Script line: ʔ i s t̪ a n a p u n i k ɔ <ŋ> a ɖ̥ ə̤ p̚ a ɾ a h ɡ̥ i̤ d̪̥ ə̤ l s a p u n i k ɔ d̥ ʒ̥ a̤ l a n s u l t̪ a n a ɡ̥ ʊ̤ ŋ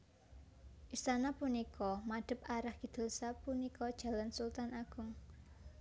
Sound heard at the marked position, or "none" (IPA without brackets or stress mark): m